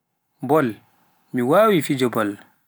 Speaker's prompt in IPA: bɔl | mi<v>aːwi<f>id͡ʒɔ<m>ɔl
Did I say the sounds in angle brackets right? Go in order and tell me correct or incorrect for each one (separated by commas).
incorrect, correct, incorrect